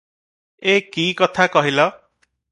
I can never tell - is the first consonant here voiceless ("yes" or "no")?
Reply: yes